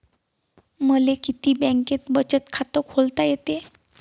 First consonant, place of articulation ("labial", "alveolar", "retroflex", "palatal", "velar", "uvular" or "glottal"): labial